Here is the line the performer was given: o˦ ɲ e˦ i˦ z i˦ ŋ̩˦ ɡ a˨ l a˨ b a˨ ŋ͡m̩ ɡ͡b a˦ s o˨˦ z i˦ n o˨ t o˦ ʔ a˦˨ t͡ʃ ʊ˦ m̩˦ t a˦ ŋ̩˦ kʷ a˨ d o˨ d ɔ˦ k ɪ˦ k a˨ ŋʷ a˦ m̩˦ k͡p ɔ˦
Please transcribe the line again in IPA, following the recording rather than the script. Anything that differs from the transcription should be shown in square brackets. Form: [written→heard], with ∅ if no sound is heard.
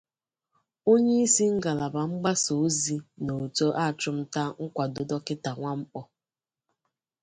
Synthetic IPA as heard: o˦ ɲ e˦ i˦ [z→s] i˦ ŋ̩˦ ɡ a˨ l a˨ b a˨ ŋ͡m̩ ɡ͡b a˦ s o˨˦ z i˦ n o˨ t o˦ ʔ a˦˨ t͡ʃ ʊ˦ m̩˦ t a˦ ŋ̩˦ kʷ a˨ d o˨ d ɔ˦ k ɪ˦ [k→t] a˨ ŋʷ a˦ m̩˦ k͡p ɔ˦